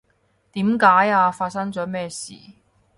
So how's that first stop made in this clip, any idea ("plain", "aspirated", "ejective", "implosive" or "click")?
plain